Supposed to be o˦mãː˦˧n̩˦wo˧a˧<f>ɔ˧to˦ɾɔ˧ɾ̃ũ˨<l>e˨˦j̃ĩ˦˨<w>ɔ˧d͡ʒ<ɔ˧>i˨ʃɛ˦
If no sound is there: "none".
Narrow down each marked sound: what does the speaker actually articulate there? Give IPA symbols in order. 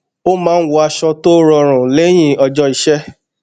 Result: ʃ, l, none, ɔ˧

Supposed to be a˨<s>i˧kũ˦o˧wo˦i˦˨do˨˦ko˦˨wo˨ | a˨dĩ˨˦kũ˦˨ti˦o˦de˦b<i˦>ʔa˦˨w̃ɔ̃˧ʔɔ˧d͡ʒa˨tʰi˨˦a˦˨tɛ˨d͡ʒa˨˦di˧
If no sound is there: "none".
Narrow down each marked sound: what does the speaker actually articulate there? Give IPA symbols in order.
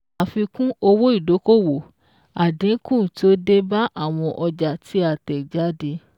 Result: f, a˦

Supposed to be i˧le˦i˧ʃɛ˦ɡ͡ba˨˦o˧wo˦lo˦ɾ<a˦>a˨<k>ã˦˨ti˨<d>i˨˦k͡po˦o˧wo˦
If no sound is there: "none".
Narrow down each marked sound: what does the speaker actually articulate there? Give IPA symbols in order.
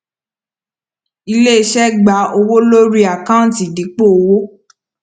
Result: i˦, k, d

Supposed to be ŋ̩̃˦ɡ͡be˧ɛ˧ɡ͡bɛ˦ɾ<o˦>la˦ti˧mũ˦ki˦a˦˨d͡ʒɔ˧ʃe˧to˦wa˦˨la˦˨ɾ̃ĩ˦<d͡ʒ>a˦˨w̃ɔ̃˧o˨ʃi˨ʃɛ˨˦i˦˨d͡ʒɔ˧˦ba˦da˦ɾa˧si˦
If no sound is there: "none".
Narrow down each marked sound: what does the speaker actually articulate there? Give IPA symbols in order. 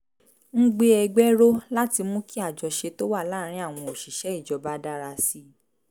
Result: o˦, none

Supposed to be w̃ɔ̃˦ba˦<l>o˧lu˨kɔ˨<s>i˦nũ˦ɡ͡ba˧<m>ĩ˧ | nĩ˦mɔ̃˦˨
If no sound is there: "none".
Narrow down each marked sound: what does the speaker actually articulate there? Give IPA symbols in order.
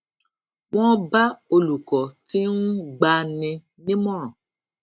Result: none, t, n

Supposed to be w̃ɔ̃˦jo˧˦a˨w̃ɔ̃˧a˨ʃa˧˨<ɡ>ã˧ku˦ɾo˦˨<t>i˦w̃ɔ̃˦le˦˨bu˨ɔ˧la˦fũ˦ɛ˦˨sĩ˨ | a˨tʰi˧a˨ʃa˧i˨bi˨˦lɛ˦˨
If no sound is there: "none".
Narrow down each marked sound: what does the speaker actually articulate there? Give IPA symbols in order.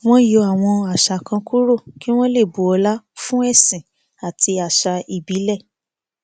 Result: k, k

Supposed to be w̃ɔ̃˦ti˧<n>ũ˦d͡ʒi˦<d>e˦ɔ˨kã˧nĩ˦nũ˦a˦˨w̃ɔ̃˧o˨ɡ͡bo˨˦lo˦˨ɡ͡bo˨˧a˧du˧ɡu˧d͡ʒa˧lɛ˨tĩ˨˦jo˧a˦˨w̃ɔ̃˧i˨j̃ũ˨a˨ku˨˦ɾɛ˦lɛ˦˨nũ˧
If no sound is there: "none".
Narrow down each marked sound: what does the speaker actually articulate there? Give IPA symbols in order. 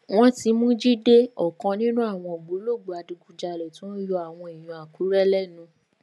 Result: m, d

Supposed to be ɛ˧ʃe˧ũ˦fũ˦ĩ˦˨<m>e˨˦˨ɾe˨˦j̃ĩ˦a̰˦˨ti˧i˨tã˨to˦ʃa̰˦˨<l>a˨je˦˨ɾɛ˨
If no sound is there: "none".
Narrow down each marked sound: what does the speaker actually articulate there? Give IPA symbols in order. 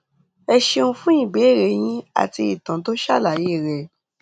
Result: b, l

